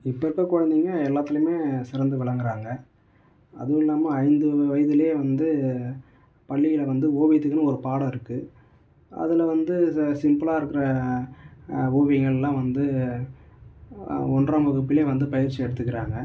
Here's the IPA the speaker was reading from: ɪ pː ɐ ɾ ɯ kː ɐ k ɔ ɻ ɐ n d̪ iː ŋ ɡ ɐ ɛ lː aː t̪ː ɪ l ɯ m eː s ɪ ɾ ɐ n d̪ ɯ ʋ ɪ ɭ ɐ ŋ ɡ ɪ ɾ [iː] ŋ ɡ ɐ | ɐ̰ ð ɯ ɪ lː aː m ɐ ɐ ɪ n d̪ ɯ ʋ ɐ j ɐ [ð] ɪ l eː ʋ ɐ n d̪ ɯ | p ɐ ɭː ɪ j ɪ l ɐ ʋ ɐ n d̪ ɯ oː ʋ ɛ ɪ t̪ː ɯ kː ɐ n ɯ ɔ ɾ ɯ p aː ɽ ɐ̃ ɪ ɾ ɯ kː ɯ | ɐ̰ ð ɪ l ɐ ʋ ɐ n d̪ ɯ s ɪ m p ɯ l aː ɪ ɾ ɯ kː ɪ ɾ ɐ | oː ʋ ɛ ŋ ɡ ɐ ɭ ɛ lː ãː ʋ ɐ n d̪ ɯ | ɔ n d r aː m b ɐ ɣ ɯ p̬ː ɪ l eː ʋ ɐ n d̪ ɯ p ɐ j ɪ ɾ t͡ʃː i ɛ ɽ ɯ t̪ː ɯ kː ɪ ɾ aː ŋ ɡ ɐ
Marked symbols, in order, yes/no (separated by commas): no, yes